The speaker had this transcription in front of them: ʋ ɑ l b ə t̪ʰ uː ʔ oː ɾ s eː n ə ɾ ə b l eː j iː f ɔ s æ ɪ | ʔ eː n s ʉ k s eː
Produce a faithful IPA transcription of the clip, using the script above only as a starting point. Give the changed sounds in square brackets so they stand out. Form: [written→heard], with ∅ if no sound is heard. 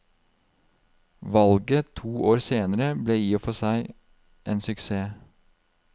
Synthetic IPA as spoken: ʋ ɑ l [b→ɡ] ə t̪ʰ uː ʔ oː ɾ s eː n ə ɾ ə b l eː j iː f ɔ s æ ɪ | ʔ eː n s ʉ k s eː